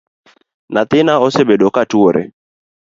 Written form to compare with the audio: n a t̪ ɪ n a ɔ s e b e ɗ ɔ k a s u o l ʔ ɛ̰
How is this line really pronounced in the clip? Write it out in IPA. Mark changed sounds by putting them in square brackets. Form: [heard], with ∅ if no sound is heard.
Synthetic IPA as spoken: n a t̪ ɪ n a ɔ s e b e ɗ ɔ k a [t] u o [ɾ] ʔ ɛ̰